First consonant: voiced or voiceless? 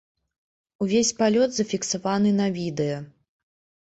voiced